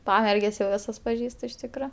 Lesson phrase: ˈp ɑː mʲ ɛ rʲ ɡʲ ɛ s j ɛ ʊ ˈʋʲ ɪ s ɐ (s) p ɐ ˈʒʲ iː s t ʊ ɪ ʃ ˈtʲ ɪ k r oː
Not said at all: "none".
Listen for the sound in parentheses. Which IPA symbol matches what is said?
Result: s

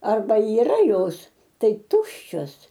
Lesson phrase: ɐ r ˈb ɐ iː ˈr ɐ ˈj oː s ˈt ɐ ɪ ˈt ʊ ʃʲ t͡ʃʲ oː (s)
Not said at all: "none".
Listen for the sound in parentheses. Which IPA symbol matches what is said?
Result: s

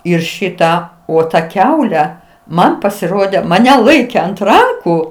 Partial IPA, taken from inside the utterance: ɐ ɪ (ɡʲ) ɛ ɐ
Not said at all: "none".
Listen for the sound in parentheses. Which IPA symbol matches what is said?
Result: kʲ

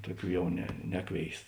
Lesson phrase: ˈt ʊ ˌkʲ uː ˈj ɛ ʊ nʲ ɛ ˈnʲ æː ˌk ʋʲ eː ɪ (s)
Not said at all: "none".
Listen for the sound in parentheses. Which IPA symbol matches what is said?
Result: s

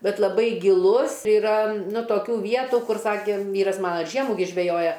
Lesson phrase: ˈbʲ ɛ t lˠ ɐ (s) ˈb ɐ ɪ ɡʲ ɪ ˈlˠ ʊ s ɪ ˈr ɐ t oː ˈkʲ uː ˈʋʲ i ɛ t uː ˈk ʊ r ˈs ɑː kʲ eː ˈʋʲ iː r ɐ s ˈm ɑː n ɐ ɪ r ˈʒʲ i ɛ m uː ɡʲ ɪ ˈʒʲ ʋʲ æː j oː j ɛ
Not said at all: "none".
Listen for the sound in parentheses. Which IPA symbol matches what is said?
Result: none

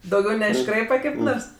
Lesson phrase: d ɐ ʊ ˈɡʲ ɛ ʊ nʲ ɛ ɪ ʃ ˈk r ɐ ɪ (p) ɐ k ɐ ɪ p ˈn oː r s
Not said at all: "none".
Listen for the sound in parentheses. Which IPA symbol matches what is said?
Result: p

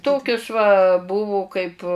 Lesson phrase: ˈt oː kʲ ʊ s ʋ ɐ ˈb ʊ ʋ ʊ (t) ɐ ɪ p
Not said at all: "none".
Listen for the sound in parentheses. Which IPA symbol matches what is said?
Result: k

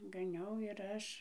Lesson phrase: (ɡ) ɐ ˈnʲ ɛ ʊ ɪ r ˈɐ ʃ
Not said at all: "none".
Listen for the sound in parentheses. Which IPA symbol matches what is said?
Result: ɡ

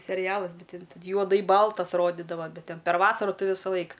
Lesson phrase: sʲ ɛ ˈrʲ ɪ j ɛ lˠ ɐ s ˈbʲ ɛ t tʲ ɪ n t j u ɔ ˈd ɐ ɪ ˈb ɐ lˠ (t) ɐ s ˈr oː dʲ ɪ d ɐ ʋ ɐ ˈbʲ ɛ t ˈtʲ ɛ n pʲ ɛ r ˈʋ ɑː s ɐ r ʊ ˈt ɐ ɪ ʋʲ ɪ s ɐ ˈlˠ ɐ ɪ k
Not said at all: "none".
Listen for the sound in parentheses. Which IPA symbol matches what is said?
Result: t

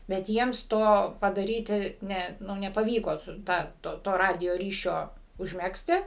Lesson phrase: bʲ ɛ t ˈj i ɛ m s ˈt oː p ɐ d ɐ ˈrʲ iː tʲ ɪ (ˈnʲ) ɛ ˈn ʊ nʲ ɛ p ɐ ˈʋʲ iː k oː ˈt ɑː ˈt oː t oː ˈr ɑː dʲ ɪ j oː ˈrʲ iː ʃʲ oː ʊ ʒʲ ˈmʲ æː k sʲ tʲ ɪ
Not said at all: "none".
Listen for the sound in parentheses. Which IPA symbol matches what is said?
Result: nʲ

